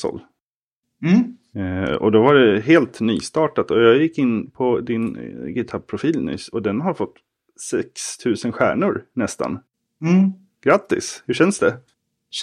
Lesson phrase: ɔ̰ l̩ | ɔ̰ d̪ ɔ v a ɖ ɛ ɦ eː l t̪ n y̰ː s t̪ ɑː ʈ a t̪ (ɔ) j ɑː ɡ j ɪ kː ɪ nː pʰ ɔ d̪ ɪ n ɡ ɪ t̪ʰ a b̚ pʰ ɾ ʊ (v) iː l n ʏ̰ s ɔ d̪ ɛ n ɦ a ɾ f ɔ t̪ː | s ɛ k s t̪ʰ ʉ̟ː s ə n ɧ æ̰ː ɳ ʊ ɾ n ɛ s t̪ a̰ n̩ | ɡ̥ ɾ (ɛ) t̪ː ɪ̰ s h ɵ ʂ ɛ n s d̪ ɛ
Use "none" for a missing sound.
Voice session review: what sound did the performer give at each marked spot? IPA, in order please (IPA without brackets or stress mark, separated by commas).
ɔ, f, a